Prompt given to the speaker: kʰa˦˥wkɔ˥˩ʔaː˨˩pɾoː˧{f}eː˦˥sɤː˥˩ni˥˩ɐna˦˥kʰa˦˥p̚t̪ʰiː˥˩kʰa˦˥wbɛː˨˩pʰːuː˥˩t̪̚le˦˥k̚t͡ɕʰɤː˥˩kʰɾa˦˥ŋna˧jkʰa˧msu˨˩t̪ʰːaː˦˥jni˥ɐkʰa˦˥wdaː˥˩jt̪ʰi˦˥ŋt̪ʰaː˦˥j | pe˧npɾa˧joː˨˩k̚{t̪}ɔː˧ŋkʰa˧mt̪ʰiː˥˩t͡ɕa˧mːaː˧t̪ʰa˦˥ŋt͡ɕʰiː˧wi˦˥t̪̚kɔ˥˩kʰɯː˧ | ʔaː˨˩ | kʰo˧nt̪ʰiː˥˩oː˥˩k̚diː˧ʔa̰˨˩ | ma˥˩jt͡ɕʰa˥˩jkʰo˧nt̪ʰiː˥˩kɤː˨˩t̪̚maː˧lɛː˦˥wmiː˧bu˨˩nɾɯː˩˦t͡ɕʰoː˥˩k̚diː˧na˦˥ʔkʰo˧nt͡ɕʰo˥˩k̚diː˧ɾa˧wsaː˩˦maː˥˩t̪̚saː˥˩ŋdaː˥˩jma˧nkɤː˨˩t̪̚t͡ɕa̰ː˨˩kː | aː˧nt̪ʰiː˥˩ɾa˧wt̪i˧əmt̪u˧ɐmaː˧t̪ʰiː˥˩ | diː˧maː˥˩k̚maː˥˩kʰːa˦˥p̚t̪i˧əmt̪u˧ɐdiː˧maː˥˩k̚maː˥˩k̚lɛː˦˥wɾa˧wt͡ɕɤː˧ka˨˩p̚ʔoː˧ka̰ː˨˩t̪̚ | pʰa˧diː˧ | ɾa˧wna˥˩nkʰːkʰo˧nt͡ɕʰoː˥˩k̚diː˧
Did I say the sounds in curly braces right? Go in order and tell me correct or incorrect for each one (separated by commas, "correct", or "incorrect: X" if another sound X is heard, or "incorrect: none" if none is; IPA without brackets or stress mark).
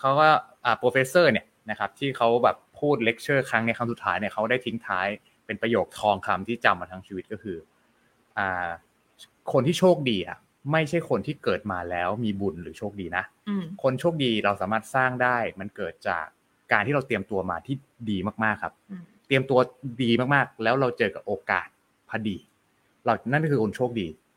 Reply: correct, incorrect: t̪ʰ